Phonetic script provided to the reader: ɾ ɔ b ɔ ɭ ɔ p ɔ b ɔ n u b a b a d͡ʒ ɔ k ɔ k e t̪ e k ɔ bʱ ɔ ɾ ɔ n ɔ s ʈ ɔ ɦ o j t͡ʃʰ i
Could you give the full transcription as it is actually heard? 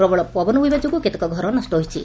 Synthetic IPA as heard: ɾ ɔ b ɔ ɭ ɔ p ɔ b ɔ n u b i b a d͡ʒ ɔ k u k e t̪ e k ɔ ɡʱ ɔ ɾ ɔ n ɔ s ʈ ɔ ɦ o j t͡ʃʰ i